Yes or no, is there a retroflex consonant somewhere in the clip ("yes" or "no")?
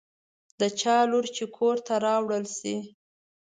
yes